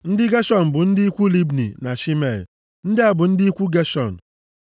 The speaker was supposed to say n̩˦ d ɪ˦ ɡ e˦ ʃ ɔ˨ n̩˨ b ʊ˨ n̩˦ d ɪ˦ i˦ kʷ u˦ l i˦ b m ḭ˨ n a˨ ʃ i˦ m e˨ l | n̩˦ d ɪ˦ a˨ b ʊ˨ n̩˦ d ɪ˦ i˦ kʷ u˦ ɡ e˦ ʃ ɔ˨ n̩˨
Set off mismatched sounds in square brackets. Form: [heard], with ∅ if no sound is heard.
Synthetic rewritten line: n̩˦ d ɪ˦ ɡ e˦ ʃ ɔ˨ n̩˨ b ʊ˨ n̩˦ d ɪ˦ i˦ kʷ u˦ l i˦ b [n] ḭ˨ n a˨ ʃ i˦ m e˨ l | n̩˦ d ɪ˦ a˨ b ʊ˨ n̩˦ d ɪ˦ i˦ kʷ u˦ ɡ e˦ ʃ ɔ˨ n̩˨